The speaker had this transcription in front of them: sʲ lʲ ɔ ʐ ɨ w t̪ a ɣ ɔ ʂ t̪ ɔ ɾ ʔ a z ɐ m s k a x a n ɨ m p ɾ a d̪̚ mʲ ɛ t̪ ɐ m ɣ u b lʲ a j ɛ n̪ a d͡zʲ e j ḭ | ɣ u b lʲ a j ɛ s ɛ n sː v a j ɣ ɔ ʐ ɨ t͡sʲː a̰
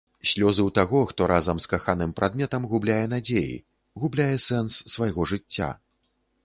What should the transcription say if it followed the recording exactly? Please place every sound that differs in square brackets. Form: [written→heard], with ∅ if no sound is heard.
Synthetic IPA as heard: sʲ lʲ ɔ [ʐ→z] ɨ w t̪ a ɣ ɔ [ʂ→x] t̪ ɔ ɾ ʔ a z ɐ m s k a x a n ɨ m p ɾ a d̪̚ mʲ ɛ t̪ ɐ m ɣ u b lʲ a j ɛ n̪ a d͡zʲ e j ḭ | ɣ u b lʲ a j ɛ s ɛ n sː v a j ɣ ɔ ʐ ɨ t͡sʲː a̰